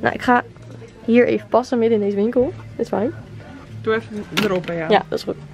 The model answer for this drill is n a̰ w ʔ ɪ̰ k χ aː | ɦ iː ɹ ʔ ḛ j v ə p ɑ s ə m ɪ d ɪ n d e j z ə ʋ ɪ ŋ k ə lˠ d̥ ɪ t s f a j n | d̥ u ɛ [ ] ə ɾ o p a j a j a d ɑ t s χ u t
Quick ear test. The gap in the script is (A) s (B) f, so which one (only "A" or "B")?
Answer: B